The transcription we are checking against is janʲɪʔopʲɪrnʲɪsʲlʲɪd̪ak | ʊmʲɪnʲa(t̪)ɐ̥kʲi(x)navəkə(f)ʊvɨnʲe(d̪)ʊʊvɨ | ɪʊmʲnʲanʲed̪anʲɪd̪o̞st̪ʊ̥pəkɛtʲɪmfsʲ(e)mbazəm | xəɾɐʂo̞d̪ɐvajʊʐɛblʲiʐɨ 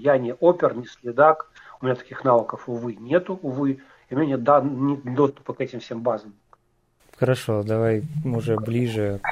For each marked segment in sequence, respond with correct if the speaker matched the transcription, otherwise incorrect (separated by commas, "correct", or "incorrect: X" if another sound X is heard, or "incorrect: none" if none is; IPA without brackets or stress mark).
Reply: correct, correct, correct, incorrect: t̪, correct